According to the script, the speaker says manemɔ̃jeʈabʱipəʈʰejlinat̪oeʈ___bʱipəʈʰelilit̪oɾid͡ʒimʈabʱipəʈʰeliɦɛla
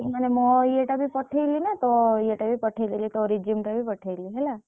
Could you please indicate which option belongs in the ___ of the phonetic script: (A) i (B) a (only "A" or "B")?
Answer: B